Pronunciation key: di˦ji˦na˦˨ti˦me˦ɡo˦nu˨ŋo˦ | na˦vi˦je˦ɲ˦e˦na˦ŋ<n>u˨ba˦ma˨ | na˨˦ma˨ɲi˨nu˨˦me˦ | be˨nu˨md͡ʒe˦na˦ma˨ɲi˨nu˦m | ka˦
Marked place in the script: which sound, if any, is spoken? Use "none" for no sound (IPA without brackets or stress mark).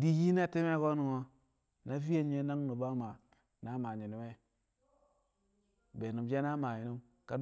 n